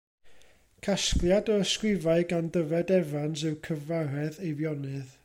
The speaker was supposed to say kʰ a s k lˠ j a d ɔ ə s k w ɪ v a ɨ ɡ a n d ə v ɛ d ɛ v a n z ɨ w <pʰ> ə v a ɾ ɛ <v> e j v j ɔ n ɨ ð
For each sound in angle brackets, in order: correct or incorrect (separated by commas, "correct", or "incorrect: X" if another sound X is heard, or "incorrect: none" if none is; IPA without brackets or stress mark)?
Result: incorrect: kʰ, incorrect: ð